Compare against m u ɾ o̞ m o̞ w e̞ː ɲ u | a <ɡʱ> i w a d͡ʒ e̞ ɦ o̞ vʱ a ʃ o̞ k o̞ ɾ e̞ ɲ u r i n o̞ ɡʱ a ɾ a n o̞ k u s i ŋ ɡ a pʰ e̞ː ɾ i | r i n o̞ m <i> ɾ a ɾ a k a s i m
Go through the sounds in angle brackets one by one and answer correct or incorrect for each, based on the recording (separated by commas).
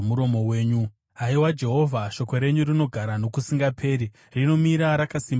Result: incorrect, correct